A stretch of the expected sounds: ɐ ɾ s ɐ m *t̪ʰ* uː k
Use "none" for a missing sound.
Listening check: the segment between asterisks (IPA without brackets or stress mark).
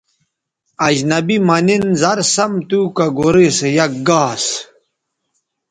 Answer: t̪